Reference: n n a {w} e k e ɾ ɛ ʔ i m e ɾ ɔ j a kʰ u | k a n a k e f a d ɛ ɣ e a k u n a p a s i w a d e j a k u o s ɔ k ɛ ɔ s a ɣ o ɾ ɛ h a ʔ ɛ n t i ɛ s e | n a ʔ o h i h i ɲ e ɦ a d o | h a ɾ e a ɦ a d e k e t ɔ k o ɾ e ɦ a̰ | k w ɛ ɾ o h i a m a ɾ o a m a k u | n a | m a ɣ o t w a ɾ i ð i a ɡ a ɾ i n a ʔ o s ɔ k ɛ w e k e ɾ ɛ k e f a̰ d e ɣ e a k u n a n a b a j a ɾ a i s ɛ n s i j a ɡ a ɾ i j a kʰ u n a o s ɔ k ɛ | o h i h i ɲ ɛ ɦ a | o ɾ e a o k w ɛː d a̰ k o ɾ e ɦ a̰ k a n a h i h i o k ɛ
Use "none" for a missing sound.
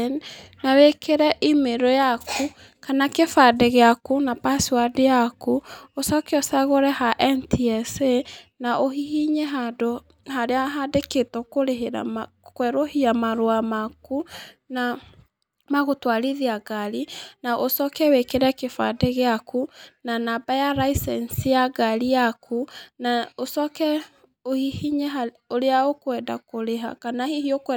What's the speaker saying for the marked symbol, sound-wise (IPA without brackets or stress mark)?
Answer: w